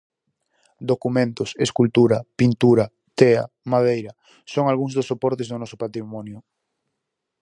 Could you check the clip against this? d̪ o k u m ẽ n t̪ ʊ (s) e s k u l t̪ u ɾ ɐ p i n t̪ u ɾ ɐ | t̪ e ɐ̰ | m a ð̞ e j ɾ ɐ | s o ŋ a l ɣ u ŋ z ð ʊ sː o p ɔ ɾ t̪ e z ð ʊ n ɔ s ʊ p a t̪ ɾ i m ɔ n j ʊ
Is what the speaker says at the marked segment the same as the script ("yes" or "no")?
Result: yes